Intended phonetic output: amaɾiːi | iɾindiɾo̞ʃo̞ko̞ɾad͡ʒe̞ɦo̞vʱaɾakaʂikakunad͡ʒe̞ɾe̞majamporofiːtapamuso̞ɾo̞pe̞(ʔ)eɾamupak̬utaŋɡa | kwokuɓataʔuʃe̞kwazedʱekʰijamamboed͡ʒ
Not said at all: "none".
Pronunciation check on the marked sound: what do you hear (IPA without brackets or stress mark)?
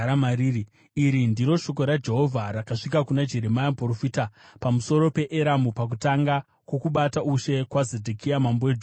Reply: ʔ